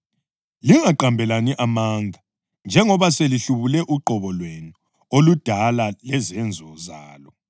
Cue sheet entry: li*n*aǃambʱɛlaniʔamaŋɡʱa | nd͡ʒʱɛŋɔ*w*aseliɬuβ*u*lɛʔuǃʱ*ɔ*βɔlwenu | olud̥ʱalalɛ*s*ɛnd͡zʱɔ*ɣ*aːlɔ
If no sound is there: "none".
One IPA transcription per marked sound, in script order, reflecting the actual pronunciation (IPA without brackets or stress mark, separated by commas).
ŋ, β, u, ɔ, z, z